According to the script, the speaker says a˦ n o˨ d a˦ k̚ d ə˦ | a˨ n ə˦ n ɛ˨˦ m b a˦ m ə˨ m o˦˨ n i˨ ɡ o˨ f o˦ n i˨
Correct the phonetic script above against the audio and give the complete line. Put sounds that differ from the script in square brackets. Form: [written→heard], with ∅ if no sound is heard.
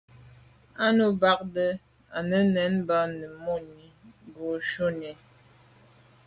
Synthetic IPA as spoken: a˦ n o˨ [d→b] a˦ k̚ d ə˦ | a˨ n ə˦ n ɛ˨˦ [m→n] b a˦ [m→n] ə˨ m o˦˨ n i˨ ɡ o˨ [f→ʃ] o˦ n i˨